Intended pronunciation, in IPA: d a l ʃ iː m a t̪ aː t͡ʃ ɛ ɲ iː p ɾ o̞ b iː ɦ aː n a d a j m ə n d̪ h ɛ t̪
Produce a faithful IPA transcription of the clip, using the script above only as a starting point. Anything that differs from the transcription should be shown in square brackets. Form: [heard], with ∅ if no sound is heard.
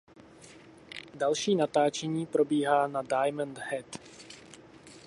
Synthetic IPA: d a l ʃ iː [n] a t̪ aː t͡ʃ ɛ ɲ iː p ɾ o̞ b iː ɦ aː n a d a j m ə n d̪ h ɛ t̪